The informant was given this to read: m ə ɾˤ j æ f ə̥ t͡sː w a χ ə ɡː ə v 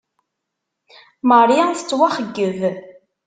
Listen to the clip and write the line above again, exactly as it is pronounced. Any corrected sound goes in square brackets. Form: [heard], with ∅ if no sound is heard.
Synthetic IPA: m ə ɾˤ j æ [θ] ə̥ t͡sː w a χ ə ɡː ə v

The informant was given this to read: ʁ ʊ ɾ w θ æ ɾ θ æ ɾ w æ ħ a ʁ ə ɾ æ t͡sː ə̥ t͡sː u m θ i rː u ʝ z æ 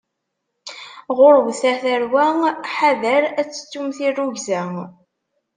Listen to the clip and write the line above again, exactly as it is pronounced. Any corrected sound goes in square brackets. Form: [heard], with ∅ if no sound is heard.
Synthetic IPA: ʁ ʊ ɾ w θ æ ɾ θ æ ɾ w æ ħ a [ð] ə ɾ æ t͡sː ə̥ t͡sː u m θ i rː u ʝ z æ

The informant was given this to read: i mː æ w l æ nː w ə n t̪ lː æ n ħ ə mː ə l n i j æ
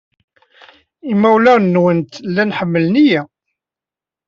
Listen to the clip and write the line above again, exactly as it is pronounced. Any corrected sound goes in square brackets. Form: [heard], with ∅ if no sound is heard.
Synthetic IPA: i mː æ w l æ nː w ə n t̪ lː æ n ħ ə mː ə l n i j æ

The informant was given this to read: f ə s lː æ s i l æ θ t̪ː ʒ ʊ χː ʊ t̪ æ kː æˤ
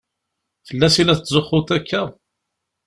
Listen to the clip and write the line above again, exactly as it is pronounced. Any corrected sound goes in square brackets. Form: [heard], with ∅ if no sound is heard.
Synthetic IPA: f ə [∅] lː æ s i l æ θ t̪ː [z] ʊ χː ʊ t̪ æ kː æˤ

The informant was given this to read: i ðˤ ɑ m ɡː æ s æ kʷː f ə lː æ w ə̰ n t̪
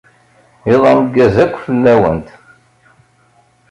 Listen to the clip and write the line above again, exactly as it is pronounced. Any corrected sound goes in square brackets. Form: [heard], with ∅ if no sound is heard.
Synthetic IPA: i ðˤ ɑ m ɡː æ [z] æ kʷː f ə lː æ w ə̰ n t̪

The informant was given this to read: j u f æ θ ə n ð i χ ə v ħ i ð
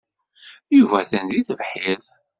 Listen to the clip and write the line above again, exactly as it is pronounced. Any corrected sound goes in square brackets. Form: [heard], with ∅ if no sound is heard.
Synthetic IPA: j u [v] æ θ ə n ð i [θ] ə v ħ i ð

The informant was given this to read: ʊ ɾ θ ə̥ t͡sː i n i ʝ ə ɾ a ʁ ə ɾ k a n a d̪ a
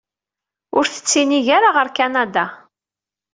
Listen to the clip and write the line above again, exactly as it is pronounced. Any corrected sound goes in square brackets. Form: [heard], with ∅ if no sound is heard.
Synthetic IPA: ʊ ɾ θ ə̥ t͡sː i n i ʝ [a] ɾ a ʁ ə ɾ k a n a d̪ a

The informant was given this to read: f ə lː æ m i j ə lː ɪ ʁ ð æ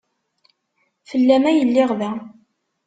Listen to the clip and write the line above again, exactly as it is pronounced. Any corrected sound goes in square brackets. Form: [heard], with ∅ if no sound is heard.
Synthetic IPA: f ə lː æ m [æ] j ə lː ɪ ʁ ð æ

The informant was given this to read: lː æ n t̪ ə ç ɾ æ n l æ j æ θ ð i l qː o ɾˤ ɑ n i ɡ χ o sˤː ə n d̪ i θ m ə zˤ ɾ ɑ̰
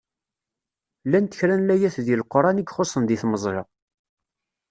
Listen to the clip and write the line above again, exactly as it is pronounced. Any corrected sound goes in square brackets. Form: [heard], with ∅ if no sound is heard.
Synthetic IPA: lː æ n t̪ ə ç ɾ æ n l æ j æ θ ð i l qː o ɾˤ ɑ n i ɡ χ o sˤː ə n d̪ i θ m ə zˤ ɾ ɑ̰

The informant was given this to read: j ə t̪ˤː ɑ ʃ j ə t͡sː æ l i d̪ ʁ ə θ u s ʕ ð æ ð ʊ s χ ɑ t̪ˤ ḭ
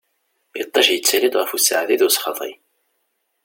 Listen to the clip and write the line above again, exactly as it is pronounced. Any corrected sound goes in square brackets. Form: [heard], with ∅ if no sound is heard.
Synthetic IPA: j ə t̪ˤː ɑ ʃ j ə t͡sː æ l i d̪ ʁ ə [f] u s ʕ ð [i] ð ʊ s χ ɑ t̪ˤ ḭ

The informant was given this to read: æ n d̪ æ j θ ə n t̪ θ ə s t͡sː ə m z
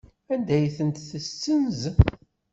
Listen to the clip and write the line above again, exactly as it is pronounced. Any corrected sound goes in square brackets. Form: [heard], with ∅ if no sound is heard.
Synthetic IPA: æ n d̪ æ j θ ə n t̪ θ ə s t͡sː ə [n] z

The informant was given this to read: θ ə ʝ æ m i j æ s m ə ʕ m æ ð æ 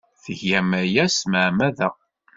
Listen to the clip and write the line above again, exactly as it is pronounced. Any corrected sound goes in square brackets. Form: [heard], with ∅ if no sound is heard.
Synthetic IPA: θ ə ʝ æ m [æ] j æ s m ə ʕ m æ ð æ

